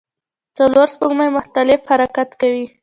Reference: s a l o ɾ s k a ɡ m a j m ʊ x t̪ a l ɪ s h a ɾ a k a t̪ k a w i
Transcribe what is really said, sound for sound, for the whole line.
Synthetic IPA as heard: t͡s a l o ɾ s p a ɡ m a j m ʊ x t̪ a l ɪ f h a ɾ a k a t̪ k a w i